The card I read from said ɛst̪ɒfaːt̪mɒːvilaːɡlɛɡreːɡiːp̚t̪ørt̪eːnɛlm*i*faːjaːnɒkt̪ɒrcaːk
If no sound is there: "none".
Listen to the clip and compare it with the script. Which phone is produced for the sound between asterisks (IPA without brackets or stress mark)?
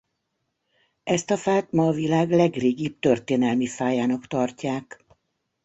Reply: i